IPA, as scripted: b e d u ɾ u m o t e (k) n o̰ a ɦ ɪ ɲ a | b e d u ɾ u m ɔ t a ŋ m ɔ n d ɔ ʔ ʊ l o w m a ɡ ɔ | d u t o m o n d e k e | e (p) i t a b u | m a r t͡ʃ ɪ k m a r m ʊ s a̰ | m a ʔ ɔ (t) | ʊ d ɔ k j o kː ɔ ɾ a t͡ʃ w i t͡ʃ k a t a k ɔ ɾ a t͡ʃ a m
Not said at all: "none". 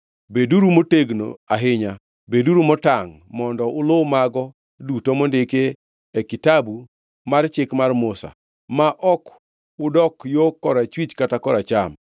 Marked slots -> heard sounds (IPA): ɡ, k, k

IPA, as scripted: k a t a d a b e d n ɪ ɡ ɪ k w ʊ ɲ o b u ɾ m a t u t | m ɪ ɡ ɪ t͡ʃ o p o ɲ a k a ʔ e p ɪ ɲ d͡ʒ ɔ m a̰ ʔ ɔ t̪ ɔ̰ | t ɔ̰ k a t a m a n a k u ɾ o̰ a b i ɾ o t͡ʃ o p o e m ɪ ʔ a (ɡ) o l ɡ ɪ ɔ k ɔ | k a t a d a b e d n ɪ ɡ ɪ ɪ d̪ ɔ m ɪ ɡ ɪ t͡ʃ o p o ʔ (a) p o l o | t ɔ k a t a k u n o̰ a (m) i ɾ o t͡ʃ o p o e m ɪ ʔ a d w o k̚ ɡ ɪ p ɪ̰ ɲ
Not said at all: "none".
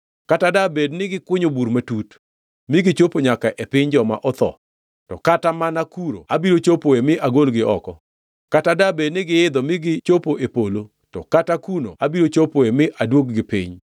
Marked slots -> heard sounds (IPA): ɡ, e, b

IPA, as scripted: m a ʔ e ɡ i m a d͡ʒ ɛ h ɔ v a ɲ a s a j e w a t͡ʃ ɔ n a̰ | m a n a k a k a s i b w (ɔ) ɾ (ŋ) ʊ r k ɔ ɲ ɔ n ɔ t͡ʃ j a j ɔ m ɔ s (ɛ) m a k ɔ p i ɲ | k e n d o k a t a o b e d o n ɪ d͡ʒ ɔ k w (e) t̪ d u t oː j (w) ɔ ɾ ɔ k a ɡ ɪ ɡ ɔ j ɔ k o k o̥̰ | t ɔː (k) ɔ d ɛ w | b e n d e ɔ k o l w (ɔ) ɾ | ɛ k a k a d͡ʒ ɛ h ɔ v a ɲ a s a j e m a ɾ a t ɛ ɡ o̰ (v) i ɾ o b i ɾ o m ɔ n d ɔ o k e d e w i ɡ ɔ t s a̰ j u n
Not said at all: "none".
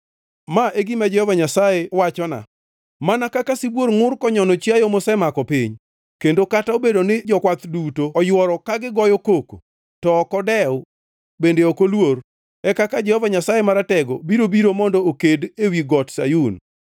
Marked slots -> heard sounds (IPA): o, ŋ, ɛ, a, w, k, o, b

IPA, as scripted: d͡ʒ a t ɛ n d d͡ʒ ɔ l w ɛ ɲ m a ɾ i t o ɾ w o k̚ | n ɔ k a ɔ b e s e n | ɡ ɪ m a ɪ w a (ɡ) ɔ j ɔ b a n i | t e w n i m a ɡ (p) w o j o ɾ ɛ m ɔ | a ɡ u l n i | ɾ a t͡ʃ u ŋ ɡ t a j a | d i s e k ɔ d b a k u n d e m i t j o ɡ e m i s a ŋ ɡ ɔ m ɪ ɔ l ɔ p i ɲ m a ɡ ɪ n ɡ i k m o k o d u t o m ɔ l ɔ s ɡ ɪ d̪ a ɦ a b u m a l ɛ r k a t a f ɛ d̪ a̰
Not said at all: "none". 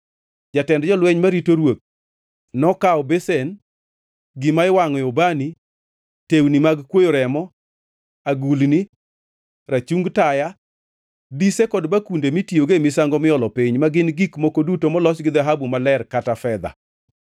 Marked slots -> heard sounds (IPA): ŋ, k

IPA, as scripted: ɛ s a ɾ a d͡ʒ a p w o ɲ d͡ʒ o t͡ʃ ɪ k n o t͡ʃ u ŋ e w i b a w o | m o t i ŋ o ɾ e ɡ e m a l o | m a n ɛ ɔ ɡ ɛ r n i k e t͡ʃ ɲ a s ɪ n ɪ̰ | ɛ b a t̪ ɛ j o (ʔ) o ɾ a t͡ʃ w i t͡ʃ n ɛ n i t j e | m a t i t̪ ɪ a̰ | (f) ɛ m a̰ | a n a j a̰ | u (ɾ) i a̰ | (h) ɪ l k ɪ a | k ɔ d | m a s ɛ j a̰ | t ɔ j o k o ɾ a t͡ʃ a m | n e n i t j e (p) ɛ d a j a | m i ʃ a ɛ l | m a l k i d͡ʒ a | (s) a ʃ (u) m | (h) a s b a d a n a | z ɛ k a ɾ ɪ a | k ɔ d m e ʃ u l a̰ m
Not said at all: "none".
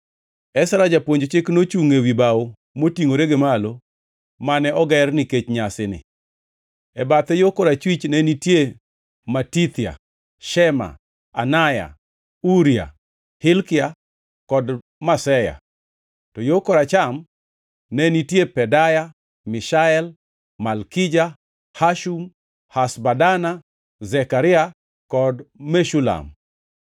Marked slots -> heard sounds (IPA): k, ʃ, ɾ, h, p, h, u, h

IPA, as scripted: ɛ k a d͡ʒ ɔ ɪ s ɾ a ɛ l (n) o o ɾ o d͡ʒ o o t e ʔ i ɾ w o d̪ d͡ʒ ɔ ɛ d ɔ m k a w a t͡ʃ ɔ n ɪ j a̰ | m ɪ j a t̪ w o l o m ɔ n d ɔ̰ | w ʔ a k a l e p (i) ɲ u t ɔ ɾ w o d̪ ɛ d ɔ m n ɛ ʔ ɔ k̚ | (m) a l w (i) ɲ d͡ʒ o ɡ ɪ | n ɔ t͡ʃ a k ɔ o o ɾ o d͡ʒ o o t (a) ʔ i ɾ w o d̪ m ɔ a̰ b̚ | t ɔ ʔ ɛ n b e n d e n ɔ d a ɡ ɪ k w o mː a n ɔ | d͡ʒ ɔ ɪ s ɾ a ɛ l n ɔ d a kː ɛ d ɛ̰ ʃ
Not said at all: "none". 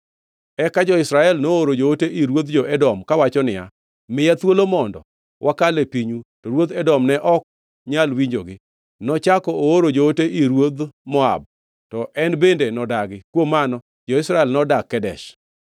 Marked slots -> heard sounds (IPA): n, i, ɲ, i, e

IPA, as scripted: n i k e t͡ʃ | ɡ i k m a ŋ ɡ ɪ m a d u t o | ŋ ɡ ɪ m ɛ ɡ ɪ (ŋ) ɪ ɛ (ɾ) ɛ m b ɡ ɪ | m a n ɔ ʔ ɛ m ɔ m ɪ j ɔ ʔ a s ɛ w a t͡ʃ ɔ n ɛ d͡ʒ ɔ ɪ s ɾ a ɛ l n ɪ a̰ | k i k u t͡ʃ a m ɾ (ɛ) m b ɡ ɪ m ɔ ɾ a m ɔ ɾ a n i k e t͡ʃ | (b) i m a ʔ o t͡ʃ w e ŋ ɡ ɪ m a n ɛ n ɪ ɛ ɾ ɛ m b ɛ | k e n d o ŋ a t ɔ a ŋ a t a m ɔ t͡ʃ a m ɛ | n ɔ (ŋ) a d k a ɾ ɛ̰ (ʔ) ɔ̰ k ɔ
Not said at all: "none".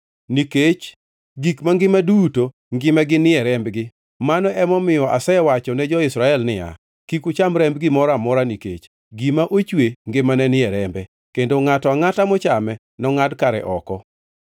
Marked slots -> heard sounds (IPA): n, ɾ, ɛ, ɡ, ŋ, ʔ

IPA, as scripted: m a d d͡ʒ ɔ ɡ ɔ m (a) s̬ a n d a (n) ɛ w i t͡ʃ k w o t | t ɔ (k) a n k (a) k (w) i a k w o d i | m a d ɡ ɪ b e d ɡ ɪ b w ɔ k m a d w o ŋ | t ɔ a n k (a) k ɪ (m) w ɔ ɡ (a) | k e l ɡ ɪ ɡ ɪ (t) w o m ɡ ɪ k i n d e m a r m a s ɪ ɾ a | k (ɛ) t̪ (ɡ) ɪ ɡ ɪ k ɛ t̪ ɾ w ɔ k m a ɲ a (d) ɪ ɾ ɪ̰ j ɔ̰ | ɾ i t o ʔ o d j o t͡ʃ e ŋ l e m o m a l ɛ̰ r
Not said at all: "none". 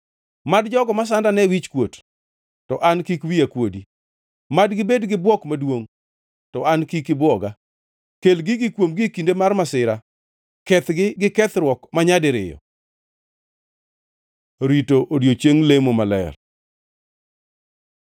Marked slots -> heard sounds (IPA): a, n, ʔ, i, w, i, b, a, k, ɛ, ɡ, d

